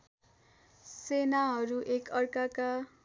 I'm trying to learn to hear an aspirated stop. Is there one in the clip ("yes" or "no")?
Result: no